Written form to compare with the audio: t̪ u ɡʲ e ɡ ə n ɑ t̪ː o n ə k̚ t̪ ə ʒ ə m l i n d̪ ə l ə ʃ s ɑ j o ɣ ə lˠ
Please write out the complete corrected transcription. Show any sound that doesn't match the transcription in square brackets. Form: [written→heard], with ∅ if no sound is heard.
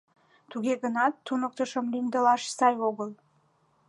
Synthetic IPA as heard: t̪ u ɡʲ e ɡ ə n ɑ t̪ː [o→u] n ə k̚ t̪ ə [ʒ→ʃ] ə m l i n d̪ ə l [ə→ɑ] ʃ s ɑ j o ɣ ə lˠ